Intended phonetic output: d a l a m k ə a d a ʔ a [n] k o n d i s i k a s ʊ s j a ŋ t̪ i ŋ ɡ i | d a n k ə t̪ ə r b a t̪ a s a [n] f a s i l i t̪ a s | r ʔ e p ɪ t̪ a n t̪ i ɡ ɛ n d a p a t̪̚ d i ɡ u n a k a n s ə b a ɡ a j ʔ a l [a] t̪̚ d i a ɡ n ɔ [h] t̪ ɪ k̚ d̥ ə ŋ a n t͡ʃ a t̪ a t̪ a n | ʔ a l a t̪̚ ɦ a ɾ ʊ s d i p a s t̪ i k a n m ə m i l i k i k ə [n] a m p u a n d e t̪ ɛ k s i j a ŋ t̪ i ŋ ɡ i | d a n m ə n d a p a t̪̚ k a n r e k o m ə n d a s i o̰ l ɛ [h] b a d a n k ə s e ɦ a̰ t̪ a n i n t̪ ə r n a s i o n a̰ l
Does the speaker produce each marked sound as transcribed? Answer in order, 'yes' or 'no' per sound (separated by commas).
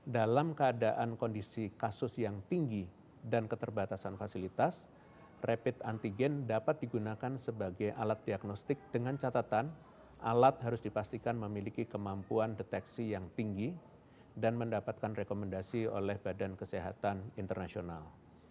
yes, yes, yes, no, no, yes